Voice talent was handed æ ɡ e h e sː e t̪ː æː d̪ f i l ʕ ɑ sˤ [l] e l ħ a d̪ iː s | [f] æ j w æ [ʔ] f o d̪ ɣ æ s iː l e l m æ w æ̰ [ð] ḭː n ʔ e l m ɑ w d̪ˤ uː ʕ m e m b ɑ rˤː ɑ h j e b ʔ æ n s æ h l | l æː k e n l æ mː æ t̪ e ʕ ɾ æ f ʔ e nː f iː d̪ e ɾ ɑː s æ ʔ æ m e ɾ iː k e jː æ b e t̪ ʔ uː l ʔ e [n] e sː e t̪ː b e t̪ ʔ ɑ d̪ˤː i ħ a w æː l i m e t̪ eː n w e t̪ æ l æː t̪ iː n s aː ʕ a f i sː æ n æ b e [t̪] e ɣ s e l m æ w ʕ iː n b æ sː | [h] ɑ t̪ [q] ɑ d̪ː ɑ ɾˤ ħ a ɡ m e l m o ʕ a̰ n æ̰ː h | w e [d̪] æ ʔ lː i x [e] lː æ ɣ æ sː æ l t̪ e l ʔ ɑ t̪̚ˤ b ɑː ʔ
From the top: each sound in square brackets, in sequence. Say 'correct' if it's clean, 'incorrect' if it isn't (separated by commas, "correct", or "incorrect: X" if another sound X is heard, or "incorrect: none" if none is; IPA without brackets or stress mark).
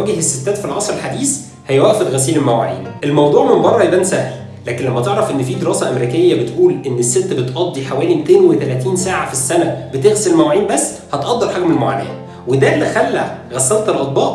incorrect: ɾ, incorrect: h, correct, incorrect: ʕ, incorrect: nː, correct, correct, incorrect: ʔ, correct, incorrect: æ